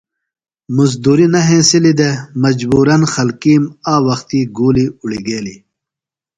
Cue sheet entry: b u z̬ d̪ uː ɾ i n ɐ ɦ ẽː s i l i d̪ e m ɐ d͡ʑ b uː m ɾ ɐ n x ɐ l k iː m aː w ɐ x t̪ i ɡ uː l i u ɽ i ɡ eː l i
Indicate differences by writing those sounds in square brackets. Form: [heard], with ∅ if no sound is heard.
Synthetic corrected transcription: [m] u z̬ d̪ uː ɾ i n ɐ ɦ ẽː s i l i d̪ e m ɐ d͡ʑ b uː [∅] ɾ ɐ n x ɐ l k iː m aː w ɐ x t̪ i ɡ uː l i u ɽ i ɡ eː l i

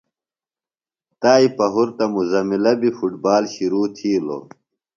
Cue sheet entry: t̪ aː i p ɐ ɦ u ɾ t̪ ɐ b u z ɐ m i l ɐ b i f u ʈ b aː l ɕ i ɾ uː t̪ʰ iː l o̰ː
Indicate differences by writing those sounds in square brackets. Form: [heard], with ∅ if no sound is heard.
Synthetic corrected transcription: t̪ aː i p ɐ ɦ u ɾ t̪ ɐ [m] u z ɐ m i l ɐ b i f u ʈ b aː l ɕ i ɾ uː t̪ʰ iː l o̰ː

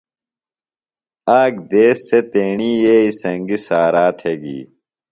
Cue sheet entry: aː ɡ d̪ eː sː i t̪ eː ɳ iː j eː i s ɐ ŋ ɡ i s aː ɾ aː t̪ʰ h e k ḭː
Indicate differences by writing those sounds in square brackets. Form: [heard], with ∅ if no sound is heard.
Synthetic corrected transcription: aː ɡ d̪ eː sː [e] t̪ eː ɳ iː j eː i s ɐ ŋ ɡ i s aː ɾ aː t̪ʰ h e [ɡ] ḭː

